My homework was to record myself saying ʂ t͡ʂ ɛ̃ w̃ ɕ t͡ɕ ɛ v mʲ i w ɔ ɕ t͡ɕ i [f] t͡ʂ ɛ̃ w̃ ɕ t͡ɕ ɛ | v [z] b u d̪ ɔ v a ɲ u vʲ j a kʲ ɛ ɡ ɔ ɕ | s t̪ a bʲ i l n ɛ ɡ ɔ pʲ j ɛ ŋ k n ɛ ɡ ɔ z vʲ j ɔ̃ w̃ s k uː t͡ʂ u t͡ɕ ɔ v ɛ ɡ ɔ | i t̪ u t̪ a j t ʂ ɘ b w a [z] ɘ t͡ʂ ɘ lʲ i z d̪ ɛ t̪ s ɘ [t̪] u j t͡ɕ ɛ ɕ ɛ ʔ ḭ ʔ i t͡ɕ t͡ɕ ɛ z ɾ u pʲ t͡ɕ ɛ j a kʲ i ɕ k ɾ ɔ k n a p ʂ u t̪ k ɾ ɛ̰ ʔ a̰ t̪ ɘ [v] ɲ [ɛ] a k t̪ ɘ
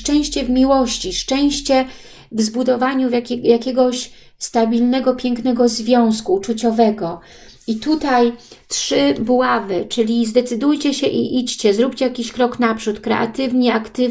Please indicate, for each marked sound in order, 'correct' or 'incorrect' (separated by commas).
incorrect, correct, incorrect, incorrect, correct, correct